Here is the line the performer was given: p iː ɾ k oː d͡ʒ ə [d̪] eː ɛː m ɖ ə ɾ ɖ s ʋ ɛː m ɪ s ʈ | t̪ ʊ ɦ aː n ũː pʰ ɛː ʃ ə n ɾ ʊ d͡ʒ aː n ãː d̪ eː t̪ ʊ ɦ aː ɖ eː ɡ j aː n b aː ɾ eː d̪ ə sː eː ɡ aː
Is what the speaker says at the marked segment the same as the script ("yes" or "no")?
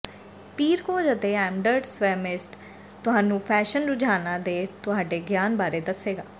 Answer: no